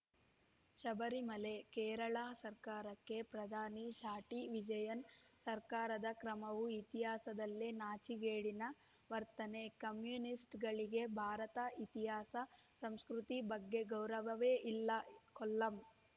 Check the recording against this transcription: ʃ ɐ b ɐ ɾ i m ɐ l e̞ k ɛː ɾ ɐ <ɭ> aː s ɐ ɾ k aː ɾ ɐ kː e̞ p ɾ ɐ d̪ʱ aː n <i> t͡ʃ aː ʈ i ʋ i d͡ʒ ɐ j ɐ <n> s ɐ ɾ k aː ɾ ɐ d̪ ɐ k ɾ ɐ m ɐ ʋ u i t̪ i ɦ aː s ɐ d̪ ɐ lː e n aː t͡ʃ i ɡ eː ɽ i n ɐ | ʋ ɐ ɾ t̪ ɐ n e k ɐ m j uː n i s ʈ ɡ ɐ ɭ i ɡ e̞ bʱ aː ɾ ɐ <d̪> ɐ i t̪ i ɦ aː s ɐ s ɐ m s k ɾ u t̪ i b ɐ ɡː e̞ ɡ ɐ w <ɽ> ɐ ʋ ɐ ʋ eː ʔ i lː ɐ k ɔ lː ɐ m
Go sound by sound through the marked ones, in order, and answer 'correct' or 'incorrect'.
correct, correct, correct, incorrect: t̪, incorrect: ɾ

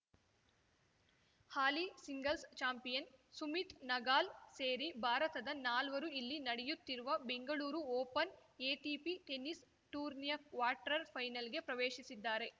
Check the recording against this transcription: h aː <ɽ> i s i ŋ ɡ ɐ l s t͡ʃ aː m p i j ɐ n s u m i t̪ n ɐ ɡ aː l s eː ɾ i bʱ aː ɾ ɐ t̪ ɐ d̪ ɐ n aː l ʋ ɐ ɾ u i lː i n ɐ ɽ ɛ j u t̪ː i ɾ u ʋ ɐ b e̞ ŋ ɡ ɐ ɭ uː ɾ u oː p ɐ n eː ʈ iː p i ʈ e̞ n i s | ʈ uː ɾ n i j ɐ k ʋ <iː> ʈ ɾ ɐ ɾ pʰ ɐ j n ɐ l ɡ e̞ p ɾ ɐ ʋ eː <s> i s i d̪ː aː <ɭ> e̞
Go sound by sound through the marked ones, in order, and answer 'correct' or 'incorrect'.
incorrect: l, incorrect: aː, incorrect: ʃ, incorrect: ɾ

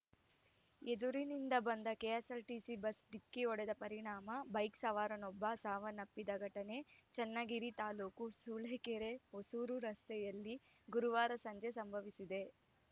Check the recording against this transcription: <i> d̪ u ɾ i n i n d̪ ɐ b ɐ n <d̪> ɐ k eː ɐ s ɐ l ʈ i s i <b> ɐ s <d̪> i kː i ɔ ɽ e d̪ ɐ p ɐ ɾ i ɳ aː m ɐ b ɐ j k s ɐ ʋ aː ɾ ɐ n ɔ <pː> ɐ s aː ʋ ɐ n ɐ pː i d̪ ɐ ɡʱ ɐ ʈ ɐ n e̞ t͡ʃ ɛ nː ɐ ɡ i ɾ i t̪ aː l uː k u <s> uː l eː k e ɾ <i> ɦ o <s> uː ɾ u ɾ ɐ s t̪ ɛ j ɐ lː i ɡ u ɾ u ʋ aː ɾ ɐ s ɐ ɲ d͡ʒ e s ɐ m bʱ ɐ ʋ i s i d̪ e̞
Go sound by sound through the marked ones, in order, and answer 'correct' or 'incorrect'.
incorrect: e, correct, correct, correct, incorrect: bː, correct, incorrect: e, correct

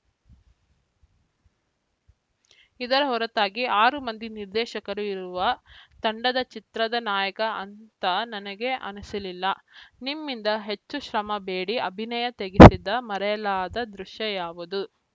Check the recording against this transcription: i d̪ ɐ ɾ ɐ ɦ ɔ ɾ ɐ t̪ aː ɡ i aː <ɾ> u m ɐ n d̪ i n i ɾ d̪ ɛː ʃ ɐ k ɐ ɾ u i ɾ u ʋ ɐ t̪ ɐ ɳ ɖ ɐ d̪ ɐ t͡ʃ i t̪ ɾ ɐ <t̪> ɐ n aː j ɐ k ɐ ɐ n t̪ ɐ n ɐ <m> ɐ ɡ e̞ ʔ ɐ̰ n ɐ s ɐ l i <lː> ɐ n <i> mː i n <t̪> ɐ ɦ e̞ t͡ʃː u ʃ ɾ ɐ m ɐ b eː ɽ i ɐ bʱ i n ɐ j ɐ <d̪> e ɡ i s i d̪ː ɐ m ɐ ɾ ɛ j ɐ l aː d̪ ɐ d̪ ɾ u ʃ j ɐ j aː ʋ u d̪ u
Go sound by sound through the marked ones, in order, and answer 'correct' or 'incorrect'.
correct, incorrect: d̪, incorrect: n, correct, correct, incorrect: d̪, incorrect: t̪

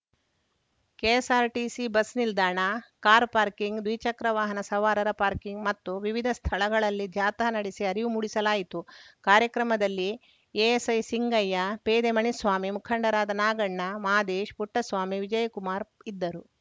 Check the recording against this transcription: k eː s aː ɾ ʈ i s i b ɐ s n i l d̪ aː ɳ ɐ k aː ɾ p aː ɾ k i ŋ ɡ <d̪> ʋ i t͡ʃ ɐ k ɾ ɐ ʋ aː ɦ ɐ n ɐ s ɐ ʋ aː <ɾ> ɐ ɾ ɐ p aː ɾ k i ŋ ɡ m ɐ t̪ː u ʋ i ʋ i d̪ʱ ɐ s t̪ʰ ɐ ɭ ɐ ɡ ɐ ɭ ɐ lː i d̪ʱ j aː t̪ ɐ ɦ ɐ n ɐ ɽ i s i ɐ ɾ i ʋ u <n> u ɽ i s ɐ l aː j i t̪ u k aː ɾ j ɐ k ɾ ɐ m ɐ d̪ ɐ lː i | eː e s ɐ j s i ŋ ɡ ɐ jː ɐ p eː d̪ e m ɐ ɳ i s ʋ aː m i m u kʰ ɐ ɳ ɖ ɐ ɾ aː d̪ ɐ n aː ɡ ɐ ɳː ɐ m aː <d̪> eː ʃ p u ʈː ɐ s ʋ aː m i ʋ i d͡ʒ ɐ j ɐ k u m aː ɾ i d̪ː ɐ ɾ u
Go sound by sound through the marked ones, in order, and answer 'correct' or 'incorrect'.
correct, correct, incorrect: m, correct

